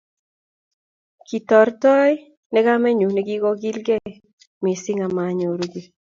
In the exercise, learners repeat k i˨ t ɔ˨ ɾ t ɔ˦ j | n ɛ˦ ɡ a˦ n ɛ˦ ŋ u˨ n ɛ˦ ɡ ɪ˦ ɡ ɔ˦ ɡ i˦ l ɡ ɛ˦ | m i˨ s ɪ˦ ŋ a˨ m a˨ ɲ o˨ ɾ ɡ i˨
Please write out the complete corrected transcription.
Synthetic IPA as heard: k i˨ t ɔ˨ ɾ t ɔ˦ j | n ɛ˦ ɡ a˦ m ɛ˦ ɲ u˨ n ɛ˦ ɡ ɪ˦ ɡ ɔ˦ ɡ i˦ l ɡ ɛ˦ | m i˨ s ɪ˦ ŋ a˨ m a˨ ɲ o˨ ɾ ɡ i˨